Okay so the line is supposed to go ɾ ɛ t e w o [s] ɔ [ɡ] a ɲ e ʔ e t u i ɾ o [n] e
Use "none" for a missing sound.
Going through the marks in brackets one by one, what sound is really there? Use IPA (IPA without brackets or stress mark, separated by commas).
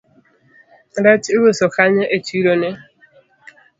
s, k, n